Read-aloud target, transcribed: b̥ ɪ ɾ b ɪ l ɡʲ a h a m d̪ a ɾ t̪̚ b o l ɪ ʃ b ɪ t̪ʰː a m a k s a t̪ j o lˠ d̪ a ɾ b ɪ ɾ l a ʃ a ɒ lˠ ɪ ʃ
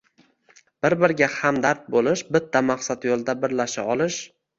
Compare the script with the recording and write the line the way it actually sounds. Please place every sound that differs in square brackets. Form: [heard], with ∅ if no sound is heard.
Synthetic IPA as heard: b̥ ɪ ɾ b ɪ [ɾ] ɡʲ a h a m d̪ a ɾ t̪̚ b o l ɪ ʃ b ɪ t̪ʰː a m a [q] s a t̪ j o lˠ d̪ a [∅] b ɪ ɾ l a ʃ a ɒ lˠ ɪ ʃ